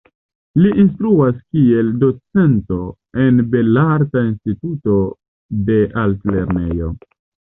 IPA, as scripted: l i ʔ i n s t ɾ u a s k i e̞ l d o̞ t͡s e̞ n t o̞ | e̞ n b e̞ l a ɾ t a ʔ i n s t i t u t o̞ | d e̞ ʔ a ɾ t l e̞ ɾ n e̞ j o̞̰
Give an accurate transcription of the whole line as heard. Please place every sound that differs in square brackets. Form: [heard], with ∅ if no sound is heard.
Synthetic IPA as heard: l i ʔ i n s t ɾ u a s k i e̞ l d o̞ t͡s e̞ n t o̞ | e̞ n b e̞ l a ɾ t a [∅] i n s t i t u t o̞ | d e̞ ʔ a [l] t l e̞ ɾ n e̞ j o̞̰